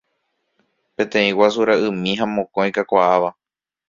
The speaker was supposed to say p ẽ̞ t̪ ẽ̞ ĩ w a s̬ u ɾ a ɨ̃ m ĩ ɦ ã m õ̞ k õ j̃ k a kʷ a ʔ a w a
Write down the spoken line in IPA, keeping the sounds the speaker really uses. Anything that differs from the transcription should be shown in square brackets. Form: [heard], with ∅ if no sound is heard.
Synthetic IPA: p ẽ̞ t̪ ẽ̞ ĩ w a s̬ u ɾ a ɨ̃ m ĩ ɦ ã m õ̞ k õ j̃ k a kʷ a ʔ a [ʋ] a